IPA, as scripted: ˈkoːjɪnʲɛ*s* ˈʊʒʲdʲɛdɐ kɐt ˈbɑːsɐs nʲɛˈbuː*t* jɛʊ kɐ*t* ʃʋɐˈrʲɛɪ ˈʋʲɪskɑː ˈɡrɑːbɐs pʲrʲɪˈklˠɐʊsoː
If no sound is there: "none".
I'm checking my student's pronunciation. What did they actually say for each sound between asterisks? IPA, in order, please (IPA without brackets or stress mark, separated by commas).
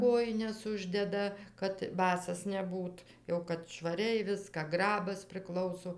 s, t, t